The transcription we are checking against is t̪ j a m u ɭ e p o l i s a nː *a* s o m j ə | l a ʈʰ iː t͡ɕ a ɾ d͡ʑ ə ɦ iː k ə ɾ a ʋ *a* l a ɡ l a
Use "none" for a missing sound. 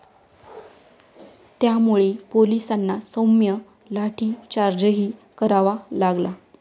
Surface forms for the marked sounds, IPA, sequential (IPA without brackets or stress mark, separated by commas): a, a